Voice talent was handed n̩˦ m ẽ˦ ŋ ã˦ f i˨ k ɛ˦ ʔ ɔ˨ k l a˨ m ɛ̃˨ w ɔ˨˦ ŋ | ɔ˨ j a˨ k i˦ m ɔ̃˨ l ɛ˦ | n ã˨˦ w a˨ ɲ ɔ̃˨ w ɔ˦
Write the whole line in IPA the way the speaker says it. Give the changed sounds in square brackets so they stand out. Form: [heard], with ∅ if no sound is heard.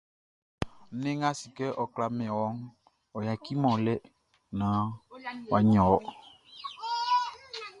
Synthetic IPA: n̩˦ [n] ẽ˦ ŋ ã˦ [s] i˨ k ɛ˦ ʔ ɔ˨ k l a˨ m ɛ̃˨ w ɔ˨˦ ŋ | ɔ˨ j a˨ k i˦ m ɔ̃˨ l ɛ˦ | n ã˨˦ w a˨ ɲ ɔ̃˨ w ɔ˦